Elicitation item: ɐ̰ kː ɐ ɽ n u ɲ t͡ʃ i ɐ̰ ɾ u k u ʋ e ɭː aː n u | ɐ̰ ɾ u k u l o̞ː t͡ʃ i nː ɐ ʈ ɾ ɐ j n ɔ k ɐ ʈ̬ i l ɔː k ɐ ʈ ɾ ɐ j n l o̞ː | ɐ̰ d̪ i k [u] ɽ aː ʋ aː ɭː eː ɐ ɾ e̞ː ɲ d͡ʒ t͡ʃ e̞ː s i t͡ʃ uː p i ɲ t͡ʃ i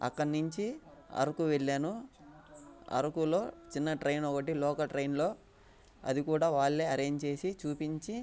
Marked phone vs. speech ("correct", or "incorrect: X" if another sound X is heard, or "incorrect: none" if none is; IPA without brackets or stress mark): incorrect: uː